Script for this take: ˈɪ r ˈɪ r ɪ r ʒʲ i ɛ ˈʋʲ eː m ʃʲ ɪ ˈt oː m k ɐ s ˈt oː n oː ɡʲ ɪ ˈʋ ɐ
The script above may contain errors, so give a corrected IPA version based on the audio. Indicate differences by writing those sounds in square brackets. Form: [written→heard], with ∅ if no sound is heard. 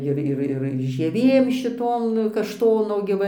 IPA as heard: ˈɪ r ˈɪ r ɪ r ʒʲ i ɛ ˈʋʲ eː m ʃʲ ɪ ˈt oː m k ɐ [s→ʃ] ˈt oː n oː ɡʲ ɪ ˈʋ ɐ